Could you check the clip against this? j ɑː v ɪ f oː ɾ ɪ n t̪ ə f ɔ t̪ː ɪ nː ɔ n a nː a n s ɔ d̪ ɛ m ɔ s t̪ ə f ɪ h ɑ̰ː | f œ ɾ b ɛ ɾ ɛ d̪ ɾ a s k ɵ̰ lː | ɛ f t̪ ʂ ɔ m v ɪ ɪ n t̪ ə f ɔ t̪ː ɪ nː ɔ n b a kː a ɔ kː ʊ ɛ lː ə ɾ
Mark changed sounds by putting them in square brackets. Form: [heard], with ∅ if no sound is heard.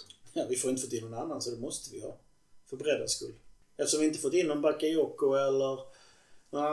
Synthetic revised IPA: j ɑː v ɪ f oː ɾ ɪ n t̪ ə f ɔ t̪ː ɪ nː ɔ n a nː a n s ɔ d̪ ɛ m ɔ s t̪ ə [v] ɪ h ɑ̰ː | f œ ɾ b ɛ ɾ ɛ d̪ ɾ a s k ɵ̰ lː | ɛ f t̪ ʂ ɔ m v ɪ ɪ n t̪ ə f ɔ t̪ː ɪ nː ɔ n b a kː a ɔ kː ʊ ɛ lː ə ɾ